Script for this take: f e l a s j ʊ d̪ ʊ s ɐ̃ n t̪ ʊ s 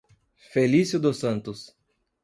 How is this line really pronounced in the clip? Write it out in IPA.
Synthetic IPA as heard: f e l i s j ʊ d̪ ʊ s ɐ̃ n t̪ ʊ s